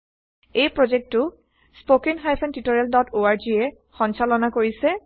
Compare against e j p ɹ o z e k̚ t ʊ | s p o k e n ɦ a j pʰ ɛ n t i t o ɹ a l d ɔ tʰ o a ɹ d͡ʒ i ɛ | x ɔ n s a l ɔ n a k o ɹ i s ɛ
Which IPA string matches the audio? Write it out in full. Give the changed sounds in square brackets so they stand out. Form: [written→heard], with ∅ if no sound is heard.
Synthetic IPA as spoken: e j p ɹ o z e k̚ t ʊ | s p o k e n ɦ a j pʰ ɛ n t i t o ɹ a l d ɔ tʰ o a ɹ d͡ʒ i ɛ | x ɔ n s a l ɔ n a k o ɹ i s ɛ